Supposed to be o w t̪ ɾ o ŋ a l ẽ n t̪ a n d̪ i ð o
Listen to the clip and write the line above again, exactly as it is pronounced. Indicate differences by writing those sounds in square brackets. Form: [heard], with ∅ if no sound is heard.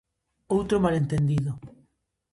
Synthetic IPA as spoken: o w t̪ ɾ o [m] a l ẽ n t̪ [e] n d̪ i ð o

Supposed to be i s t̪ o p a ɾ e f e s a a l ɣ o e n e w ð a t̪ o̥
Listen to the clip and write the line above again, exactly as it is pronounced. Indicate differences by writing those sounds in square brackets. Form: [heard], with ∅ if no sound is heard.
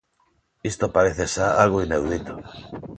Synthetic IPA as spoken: i s t̪ o p a ɾ e [θ] e s a a l ɣ o [i] n e w ð [i] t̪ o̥

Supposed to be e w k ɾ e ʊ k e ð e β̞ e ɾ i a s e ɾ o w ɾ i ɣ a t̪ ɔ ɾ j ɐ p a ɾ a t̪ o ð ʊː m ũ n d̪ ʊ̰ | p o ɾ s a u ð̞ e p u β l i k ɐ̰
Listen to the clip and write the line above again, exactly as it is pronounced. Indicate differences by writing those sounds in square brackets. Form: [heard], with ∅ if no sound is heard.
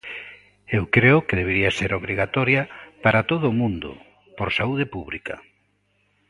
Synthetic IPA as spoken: e w k ɾ e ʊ k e ð e β̞ e ɾ i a s e ɾ o [β] ɾ i ɣ a t̪ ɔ ɾ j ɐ p a ɾ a t̪ o ð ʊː m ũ n d̪ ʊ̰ | p o ɾ s a u ð̞ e p u β l i k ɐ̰

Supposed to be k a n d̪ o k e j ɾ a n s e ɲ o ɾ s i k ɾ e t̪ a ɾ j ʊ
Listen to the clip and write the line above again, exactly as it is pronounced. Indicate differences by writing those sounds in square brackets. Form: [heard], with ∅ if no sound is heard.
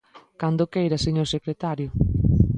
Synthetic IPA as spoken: k a n d̪ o k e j ɾ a [∅] s e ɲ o ɾ s [e] k ɾ e t̪ a ɾ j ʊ

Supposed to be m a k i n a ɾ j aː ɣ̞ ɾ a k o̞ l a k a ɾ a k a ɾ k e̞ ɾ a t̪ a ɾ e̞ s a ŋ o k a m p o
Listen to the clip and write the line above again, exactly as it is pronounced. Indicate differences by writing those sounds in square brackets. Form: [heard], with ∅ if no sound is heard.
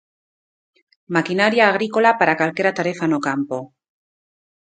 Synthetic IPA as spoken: m a k i n a ɾ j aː ɣ̞ ɾ [i] k o̞ l a [p] a ɾ a k a [l] k e̞ ɾ a t̪ a ɾ e̞ [f] a [n] o k a m p o

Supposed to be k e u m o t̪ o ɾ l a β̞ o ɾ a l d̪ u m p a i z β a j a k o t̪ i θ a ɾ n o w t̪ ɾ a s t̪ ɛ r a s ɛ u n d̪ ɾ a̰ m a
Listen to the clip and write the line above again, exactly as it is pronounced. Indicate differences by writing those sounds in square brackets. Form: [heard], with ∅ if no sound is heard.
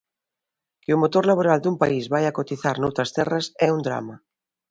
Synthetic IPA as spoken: k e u m o t̪ o ɾ l a β̞ o ɾ a l d̪ u m p a i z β a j a k o t̪ i θ a ɾ n o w t̪ ɾ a s t̪ ɛ r a s ɛ u n d̪ ɾ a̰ m a

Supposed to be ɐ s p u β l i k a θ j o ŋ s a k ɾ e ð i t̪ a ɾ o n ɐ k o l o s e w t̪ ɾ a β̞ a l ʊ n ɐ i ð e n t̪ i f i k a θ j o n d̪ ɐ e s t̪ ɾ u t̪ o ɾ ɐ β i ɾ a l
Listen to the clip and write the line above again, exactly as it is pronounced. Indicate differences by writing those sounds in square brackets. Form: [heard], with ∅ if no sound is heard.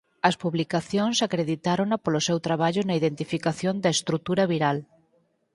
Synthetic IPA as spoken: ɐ s p u β l i k a θ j o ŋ s a k ɾ e ð i t̪ a ɾ o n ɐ [p] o l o s e w t̪ ɾ a β̞ a [ʎ] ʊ n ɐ i ð e n t̪ i f i k a θ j o n d̪ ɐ e s t̪ ɾ u t̪ [u] ɾ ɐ β i ɾ a l

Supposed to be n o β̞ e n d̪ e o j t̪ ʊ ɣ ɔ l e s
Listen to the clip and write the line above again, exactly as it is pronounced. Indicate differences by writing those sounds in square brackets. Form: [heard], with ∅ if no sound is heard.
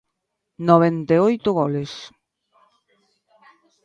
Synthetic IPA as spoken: n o β̞ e n [t̪] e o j t̪ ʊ ɣ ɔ l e s

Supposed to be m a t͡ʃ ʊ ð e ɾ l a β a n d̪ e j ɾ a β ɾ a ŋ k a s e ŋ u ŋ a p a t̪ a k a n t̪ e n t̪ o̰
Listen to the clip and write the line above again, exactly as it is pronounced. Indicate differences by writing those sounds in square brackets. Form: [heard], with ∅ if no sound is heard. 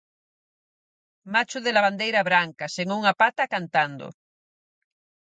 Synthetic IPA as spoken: m a t͡ʃ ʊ ð e [∅] l a β a n d̪ e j ɾ a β ɾ a ŋ k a s e ŋ u ŋ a p a t̪ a k a n t̪ [a] n [d̪] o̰

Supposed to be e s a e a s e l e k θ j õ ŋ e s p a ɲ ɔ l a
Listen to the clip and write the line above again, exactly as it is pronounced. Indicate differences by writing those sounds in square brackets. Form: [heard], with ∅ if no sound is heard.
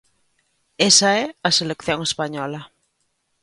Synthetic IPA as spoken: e s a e a s e l e k θ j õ ŋ e s p a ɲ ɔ l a

